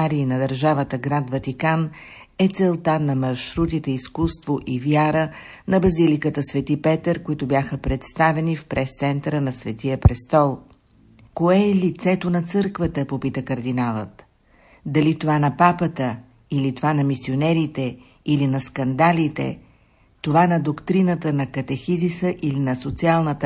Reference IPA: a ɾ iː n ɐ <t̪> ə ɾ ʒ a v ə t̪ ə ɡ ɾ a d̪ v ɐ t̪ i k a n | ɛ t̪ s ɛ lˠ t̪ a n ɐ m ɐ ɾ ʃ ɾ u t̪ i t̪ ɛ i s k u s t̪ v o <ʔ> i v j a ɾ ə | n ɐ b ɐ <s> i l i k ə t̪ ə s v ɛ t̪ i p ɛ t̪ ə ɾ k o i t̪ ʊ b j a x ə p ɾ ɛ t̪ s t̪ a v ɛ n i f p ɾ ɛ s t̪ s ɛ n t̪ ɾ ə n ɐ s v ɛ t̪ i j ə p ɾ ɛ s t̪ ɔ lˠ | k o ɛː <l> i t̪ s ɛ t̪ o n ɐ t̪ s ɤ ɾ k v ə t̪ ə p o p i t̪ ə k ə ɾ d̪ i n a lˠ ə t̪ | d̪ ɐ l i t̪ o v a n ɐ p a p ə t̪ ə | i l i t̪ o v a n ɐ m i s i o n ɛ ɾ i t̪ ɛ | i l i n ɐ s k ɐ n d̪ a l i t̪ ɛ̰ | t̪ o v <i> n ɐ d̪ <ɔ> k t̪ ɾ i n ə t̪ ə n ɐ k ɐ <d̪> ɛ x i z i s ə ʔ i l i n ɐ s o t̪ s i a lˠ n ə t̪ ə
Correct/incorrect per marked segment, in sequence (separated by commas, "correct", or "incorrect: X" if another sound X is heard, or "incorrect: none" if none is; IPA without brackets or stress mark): incorrect: d̪, correct, incorrect: z, correct, incorrect: a, incorrect: o, incorrect: t̪